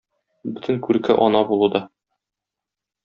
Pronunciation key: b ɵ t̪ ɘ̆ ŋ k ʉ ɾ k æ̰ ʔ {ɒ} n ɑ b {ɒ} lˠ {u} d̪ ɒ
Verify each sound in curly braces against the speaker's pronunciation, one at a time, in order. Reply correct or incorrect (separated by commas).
correct, incorrect, correct